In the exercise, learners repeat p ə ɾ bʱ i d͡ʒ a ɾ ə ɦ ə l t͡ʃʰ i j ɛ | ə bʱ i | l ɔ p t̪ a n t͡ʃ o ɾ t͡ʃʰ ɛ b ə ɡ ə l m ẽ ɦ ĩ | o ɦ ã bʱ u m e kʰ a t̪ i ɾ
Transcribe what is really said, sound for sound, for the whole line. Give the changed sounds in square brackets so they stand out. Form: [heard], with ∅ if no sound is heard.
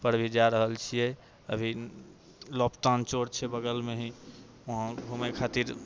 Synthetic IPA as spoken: p ə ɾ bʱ i d͡ʒ a ɾ ə ɦ ə l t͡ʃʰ i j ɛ | ə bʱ i | l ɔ p t̪ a n t͡ʃ o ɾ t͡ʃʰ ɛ b ə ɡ ə l m [e] ɦ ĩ | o ɦ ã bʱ u m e kʰ a t̪ i ɾ

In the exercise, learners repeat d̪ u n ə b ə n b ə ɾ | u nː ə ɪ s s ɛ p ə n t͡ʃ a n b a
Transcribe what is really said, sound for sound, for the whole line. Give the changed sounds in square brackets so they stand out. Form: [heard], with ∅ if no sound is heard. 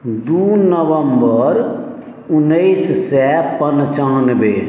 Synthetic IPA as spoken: d̪ u n ə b ə [m] b ə ɾ | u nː ə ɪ s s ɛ p ə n t͡ʃ a n b [e]

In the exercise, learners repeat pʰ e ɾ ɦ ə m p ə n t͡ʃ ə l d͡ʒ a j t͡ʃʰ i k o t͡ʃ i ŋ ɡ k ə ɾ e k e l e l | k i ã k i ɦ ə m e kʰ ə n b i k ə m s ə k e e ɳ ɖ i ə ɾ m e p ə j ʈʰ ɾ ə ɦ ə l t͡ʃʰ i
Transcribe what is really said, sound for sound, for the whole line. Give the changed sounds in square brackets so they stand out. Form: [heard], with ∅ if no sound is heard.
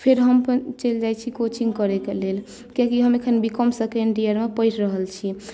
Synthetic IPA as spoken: pʰ e ɾ ɦ ə m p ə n t͡ʃ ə l d͡ʒ a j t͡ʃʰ i k o t͡ʃ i ŋ ɡ k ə ɾ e k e l e l | k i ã k i ɦ ə m e kʰ ə n b i k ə m s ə k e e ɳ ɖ i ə ɾ m e p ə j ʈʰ ɾ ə ɦ ə l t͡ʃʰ i

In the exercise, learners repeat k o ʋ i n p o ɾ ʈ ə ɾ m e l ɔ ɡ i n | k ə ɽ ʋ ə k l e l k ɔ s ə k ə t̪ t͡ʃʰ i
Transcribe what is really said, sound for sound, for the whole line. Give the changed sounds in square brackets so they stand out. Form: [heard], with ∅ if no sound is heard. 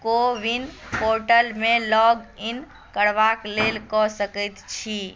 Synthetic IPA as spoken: k o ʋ i n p o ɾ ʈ ə [l] m e l ɔ ɡ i n | k ə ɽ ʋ [a] k l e l k ɔ s ə k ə t̪ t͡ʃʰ i

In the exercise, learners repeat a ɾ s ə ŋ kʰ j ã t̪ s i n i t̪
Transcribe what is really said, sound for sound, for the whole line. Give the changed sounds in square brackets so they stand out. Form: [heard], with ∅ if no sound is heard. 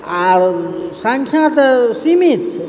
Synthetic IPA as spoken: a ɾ s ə ŋ kʰ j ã t̪ s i [m] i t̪

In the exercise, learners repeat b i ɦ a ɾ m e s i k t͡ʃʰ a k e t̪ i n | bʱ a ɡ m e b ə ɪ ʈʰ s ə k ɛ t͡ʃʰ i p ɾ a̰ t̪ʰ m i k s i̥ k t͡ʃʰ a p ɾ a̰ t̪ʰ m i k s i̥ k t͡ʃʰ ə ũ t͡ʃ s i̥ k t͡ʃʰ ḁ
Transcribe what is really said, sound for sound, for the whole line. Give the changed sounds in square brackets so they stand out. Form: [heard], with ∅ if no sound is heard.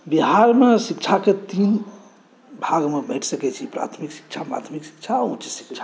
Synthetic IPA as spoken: b i ɦ a ɾ m e s i k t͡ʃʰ a k e t̪ i n | bʱ a ɡ m e b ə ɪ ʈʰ s ə k ɛ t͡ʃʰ i p ɾ a̰ t̪ʰ m i k s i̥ k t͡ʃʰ a p ɾ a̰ t̪ʰ m i k s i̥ k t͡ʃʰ [a] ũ t͡ʃ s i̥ k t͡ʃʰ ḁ

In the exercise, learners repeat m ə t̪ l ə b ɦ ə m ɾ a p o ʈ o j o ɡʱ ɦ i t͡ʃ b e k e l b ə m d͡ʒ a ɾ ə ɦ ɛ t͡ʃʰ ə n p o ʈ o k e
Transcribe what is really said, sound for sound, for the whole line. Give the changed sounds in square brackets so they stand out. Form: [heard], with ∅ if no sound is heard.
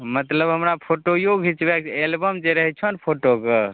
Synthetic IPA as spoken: m ə t̪ l ə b ɦ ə m ɾ a [pʰ] o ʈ o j o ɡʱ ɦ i t͡ʃ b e k e l b ə m d͡ʒ [e] ɾ ə ɦ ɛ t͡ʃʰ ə n [pʰ] o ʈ o k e

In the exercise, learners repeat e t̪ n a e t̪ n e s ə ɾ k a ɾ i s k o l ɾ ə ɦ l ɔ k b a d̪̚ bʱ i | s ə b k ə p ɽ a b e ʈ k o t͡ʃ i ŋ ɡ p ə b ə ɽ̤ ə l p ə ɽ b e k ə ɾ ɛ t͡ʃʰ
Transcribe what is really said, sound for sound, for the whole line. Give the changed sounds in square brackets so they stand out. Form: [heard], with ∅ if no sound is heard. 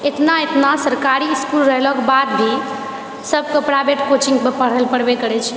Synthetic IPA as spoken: e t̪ n a e t̪ n [a] s ə ɾ k a ɾ i s k [u] l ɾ ə ɦ l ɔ k b a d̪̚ bʱ i | s ə b k ə p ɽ a b e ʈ k o t͡ʃ i ŋ ɡ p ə [p] ə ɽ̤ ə l p ə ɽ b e k ə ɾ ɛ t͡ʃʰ

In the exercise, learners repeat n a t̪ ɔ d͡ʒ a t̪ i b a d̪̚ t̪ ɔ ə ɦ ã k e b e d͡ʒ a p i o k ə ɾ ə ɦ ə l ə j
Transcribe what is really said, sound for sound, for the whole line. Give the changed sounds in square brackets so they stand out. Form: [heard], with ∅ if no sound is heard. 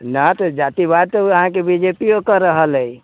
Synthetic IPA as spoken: n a t̪ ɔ d͡ʒ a t̪ i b a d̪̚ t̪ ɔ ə ɦ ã k e b [i] d͡ʒ [e] p i o k ə ɾ ə ɦ ə l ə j

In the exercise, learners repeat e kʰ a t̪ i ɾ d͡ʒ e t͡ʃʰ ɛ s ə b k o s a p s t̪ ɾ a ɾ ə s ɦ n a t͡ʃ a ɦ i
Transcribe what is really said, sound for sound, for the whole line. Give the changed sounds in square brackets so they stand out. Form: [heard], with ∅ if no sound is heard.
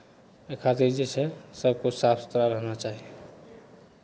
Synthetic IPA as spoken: e kʰ a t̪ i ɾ d͡ʒ e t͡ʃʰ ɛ s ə b k o s a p s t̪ ɾ a ɾ ə [∅] ɦ n a t͡ʃ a ɦ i

